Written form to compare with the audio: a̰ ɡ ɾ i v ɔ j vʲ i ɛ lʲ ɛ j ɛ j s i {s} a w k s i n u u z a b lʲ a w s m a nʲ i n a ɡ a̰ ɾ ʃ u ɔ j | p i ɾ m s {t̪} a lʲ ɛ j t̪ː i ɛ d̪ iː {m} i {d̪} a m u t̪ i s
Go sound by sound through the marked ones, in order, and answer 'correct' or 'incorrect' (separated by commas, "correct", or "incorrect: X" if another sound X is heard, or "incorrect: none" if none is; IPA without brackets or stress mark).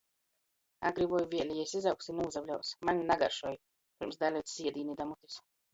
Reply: incorrect: z, incorrect: d̪, incorrect: n, correct